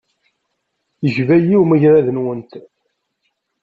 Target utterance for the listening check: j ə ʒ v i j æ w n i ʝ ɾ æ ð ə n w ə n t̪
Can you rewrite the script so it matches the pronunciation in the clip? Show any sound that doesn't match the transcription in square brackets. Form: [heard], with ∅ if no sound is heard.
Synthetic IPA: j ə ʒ v [æ] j [i] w [m] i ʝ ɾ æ ð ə n w ə n t̪